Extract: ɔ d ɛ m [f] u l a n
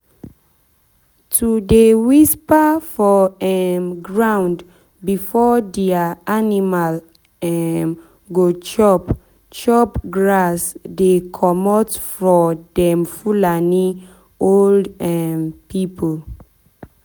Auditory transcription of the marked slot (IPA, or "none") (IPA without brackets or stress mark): f